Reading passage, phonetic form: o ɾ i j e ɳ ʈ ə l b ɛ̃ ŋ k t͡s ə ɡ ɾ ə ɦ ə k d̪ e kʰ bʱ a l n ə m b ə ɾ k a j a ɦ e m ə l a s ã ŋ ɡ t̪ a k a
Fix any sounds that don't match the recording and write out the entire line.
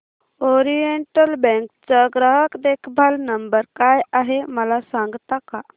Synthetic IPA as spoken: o ɾ i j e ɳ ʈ ə l b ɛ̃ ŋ k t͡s ə ɡ ɾ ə ɦ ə k d̪ e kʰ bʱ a l n ə m b ə ɾ k a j a ɦ e m ə l a s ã ŋ ɡ t̪ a k a

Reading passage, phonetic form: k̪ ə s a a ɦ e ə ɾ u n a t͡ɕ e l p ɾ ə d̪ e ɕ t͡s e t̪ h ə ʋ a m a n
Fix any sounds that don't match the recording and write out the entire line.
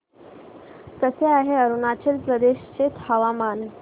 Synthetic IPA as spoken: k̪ ə s e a ɦ e ə ɾ u n a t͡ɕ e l p ɾ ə d̪ e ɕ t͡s e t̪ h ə ʋ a m a n

